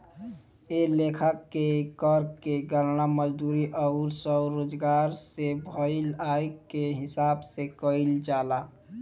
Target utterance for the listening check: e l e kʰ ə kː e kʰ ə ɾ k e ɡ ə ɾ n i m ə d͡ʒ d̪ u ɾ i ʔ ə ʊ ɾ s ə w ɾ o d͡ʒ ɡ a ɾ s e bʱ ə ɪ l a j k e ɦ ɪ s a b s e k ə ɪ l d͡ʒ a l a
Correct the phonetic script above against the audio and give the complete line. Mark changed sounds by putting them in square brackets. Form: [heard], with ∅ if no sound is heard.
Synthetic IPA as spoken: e l e kʰ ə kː e [k] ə ɾ k e ɡ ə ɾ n [a] m ə d͡ʒ d̪ u ɾ i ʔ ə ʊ ɾ s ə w ɾ o d͡ʒ ɡ a ɾ s e bʱ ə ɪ l a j k e ɦ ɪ s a b s e k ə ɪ l d͡ʒ a l a